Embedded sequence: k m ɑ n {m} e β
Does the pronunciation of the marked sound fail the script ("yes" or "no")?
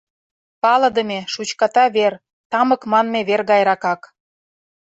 no